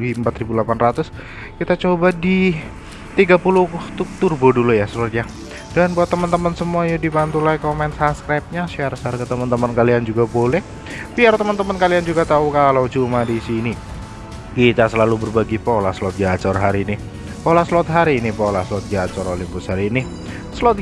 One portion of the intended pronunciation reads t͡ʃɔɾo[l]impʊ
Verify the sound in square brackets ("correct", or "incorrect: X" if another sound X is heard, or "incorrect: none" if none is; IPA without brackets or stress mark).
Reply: correct